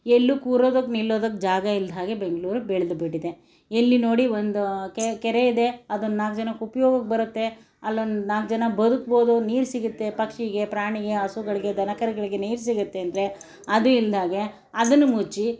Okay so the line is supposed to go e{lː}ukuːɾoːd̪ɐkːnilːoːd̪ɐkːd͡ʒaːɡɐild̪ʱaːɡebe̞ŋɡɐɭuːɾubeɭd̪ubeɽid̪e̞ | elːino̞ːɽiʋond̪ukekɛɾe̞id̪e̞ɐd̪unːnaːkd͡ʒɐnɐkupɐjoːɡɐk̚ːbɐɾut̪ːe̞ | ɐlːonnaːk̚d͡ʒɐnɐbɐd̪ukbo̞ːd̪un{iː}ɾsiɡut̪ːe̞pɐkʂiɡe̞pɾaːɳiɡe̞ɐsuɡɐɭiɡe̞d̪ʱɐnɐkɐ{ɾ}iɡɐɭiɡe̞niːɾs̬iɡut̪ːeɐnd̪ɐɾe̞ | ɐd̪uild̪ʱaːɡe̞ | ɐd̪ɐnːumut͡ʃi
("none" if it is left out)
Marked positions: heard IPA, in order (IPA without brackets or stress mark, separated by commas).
lː, iː, ɾ